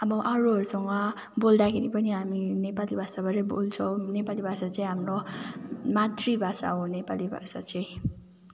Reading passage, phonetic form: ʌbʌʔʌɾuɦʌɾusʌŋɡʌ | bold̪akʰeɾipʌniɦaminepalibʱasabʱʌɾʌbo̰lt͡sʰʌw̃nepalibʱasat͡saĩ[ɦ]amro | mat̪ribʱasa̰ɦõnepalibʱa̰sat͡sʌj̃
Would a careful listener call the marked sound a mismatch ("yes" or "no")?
no